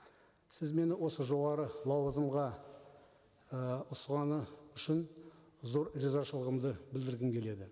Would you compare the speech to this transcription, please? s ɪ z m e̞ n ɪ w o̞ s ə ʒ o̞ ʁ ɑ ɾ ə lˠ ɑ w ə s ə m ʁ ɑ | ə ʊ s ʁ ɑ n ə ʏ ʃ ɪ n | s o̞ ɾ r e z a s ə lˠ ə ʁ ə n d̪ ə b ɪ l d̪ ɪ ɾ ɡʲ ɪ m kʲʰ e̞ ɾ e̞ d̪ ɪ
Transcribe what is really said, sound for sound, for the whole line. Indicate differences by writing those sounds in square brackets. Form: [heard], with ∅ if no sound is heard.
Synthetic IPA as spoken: s ɪ z m e̞ n ɪ w o̞ s ə ʒ o̞ ʁ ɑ ɾ ə lˠ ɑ w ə [z] ə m ʁ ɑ | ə ʊ s ʁ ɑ n ə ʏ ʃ ɪ n | [z] o̞ ɾ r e z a [ʃ] ə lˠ ə ʁ ə [m] d̪ ə b ɪ l d̪ ɪ ɾ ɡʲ ɪ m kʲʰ e̞ [l] e̞ d̪ ɪ